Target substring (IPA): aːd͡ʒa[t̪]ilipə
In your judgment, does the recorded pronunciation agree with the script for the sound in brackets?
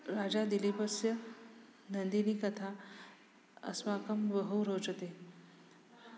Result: no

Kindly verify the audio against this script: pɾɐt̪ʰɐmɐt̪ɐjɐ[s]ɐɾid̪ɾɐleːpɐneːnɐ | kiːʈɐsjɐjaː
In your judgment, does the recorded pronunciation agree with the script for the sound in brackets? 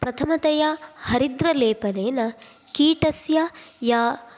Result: no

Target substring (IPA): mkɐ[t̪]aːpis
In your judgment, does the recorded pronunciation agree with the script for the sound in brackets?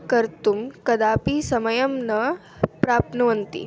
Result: no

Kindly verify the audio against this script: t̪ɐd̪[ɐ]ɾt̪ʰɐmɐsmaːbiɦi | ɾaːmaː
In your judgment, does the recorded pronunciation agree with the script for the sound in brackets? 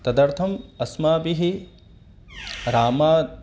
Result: yes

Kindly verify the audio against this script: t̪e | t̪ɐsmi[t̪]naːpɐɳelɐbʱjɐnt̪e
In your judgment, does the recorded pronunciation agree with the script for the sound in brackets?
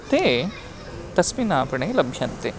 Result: no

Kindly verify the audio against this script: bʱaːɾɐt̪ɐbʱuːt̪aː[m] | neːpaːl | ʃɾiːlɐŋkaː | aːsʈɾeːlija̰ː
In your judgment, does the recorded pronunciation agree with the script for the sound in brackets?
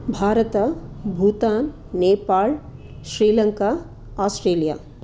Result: no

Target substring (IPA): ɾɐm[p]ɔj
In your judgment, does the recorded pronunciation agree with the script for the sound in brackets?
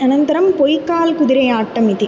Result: yes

